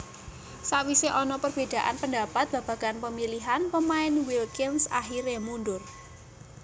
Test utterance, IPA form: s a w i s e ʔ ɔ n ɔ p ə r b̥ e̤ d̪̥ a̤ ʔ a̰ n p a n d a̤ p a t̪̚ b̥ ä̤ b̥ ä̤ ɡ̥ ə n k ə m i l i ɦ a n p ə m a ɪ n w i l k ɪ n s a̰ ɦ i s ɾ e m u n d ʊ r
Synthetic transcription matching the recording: s a w i s e ʔ ɔ n ɔ p ə r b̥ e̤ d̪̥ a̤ ʔ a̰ n p ə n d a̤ p a t̪̚ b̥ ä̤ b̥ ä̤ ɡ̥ a n p ə m i l i ɦ a n p ə m a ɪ n w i l k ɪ n s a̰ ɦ i ɾ e m u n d ʊ r